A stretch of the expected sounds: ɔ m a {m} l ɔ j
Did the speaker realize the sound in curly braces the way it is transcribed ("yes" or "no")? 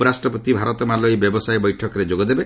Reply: no